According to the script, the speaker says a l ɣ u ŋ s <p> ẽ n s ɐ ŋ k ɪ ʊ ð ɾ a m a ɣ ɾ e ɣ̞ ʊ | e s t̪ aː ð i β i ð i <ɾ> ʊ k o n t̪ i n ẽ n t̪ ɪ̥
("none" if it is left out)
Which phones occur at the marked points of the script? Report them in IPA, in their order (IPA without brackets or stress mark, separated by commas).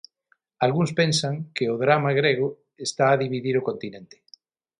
p, ɾ